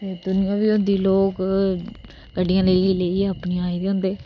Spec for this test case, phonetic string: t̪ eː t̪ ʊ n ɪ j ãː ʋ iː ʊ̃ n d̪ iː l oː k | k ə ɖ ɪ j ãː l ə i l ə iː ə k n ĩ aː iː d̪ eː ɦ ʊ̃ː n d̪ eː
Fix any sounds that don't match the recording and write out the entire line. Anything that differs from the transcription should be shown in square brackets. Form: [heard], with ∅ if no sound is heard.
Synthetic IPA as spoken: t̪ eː [d̪] ʊ n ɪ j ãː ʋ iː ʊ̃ n d̪ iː l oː k | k ə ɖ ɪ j ãː l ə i l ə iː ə [p] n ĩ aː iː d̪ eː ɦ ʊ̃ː n d̪ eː